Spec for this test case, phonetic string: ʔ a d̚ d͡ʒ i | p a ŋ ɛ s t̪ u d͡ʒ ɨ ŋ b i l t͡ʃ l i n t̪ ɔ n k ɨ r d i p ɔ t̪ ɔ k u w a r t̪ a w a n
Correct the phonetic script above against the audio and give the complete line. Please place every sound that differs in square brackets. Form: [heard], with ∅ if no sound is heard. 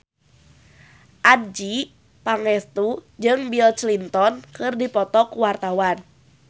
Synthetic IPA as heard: ʔ a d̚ d͡ʒ i | p a ŋ ɛ s t̪ u d͡ʒ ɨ ŋ b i l t͡ʃ l i n t̪ ɔ n k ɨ r d i p ɔ t̪ ɔ k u w a r t̪ a w a n